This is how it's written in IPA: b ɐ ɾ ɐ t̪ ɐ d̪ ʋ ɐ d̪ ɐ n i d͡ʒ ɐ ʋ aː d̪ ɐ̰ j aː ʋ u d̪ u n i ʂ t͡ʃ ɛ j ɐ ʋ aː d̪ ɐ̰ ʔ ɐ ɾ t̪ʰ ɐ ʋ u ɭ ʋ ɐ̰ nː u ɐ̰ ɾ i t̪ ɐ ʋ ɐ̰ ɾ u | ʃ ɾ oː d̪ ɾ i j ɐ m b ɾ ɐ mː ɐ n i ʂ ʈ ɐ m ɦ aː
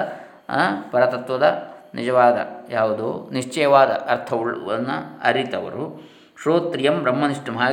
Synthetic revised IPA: p ɐ ɾ ɐ t̪ ɐ t̪ ʋ ɐ d̪ ɐ n i d͡ʒ ɐ ʋ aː d̪ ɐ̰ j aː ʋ u d̪ u n i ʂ t͡ʃ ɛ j ɐ ʋ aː d̪ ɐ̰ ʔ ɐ ɾ t̪ʰ ɐ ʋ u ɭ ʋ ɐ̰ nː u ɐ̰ ɾ i t̪ ɐ ʋ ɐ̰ ɾ u | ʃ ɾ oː t̪ ɾ i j ɐ m b ɾ ɐ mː ɐ n i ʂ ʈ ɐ m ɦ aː